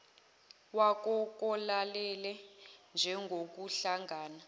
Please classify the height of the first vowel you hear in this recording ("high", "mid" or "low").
low